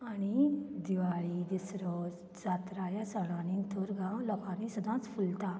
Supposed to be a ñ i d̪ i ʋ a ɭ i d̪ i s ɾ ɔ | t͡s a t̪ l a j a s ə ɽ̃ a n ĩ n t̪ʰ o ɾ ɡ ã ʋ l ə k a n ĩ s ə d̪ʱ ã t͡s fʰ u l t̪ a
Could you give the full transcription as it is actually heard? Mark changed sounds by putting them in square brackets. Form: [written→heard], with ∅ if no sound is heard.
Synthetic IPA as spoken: a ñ i d̪ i ʋ a ɭ i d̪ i s ɾ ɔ | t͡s a t̪ [l→ɾ] a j a s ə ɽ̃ a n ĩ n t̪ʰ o ɾ ɡ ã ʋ l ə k a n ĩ s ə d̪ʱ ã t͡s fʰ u l t̪ a